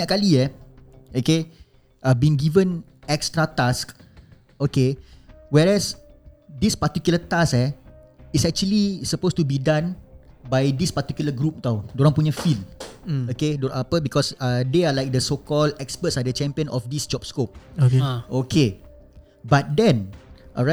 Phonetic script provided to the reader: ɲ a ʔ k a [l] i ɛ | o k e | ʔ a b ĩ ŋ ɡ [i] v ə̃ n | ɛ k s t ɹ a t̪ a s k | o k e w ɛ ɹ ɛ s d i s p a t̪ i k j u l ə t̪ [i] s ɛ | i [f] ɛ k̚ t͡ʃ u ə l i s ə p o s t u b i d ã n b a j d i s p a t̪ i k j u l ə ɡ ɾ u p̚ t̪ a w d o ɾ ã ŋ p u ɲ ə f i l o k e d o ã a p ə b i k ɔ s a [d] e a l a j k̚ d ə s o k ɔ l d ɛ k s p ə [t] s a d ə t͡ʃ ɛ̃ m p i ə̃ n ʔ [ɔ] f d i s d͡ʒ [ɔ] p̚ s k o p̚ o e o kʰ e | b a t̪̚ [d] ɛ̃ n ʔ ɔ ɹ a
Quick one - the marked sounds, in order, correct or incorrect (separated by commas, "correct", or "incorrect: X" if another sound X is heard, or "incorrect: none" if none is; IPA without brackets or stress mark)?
correct, correct, incorrect: a, incorrect: s, correct, correct, correct, correct, correct